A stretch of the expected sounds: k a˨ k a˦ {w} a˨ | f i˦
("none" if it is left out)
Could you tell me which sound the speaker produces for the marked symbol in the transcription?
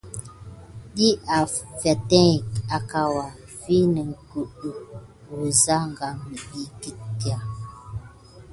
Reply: w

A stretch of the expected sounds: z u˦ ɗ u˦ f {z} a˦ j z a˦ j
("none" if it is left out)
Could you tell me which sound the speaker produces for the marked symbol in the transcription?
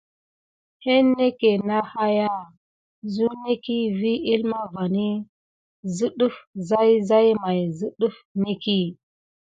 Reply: z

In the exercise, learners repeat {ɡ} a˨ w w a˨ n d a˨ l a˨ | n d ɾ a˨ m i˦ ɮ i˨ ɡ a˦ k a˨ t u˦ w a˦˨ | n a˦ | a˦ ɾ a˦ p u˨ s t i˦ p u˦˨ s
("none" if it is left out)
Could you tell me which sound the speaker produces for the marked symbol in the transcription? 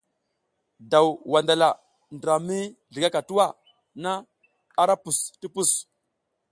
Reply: d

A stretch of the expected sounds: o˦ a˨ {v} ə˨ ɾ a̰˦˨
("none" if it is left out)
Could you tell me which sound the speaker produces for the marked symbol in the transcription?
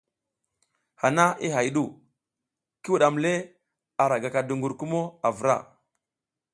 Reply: v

